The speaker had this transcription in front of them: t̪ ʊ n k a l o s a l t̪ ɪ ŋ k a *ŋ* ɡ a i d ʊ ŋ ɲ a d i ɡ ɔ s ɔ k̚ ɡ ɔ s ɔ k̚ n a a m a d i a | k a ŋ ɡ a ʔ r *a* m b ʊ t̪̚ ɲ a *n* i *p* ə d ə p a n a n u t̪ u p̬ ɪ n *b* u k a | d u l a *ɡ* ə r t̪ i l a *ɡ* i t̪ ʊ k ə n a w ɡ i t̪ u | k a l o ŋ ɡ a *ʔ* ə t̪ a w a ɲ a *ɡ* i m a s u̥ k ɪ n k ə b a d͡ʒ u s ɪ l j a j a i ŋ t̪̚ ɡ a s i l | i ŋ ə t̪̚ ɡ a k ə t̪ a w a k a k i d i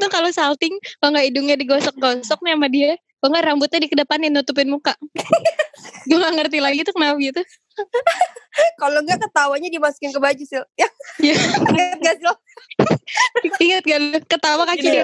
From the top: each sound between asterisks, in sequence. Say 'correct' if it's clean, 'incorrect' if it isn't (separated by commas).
correct, correct, incorrect, incorrect, incorrect, incorrect, correct, incorrect, incorrect